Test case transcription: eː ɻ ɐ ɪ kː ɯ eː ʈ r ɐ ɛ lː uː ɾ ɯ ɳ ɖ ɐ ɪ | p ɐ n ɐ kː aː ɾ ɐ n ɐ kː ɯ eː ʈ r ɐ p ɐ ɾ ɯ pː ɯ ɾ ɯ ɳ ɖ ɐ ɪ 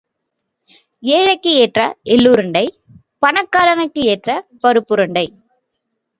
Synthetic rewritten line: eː ɻ ɐ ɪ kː ɯ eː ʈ r ɐ ɛ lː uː ɾ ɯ ɳ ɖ ɐ ɪ | p ɐ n ɐ kː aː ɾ ɐ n ɐ kː ɯ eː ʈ r ɐ p ɐ ɾ ɯ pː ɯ ɾ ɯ ɳ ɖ ɐ ɪ